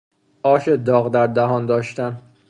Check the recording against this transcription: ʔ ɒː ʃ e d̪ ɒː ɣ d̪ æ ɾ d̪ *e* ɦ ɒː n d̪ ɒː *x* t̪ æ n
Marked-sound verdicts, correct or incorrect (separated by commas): incorrect, incorrect